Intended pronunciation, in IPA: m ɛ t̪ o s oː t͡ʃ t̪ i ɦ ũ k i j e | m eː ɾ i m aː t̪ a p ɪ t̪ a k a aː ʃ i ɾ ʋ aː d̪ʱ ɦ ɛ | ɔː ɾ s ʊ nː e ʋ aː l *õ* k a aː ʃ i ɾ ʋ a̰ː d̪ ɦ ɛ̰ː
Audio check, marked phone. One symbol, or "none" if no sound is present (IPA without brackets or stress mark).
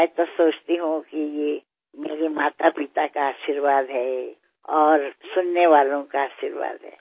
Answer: õ